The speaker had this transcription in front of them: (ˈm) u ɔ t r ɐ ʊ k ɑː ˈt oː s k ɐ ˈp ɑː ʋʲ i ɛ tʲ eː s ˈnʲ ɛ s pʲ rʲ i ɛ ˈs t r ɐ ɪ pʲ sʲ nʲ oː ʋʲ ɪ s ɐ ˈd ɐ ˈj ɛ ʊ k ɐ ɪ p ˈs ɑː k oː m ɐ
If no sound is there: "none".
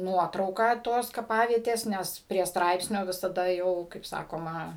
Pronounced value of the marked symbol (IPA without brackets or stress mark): n